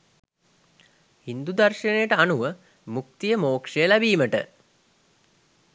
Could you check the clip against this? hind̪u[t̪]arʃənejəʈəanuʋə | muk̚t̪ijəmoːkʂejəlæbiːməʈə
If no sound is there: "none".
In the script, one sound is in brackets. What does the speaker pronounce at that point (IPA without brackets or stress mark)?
d̪